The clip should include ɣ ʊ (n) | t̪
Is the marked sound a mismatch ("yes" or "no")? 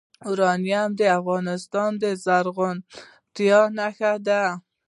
no